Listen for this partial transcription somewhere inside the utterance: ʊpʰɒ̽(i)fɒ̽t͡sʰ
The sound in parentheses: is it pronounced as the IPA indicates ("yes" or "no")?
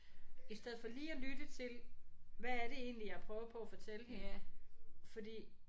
no